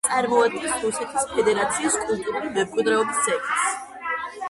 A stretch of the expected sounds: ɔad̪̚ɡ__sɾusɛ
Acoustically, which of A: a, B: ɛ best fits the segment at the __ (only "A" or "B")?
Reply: B